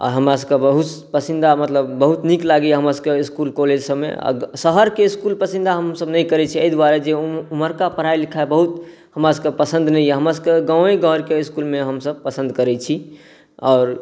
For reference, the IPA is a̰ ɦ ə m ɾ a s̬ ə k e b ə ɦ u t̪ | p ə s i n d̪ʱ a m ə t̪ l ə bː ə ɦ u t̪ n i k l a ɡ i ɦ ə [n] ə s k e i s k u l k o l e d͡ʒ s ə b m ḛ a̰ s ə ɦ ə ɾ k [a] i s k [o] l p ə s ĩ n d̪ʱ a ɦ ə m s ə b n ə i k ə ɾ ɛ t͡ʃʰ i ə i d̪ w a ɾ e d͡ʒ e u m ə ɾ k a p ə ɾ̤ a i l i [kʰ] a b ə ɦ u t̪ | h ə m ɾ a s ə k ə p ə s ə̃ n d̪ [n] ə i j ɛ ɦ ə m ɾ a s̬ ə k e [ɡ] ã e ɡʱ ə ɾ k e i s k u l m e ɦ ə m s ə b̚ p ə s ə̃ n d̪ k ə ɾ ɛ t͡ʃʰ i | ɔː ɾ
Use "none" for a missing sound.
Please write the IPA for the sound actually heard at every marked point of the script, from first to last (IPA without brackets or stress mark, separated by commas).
m, e, u, kʰ, n, ɡ